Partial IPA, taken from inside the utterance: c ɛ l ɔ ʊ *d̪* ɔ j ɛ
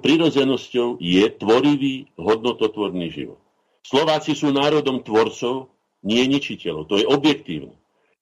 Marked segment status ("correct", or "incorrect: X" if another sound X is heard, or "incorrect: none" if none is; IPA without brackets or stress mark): incorrect: t̪